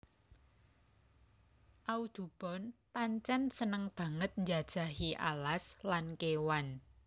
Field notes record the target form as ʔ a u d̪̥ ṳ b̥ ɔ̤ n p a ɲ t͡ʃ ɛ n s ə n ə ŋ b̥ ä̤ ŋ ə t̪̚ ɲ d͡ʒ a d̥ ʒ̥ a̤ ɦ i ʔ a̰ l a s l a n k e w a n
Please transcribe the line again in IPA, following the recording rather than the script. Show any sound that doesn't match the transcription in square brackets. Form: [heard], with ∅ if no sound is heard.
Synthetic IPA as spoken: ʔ a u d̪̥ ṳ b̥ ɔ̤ n p a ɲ t͡ʃ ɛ n s ə n ə ŋ b̥ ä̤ ŋ ə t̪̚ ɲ d͡ʒ a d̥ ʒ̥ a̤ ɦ i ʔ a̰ l a s l a n k e w a n